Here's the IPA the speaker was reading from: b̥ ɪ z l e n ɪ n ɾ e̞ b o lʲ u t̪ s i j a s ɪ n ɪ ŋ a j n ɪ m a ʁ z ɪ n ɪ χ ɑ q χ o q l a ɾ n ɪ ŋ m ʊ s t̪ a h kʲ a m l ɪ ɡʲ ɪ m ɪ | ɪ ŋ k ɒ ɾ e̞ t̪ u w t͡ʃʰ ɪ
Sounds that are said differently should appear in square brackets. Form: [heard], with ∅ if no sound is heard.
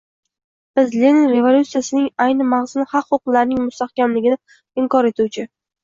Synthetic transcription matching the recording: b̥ ɪ z l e n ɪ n ɾ e̞ [v] o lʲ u t̪ s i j a s ɪ n ɪ ŋ a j n ɪ m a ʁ z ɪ n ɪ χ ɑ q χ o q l a ɾ n ɪ ŋ m ʊ s t̪ a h kʲ a m l ɪ ɡʲ ɪ [n] ɪ | ɪ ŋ k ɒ ɾ e̞ t̪ u w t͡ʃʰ ɪ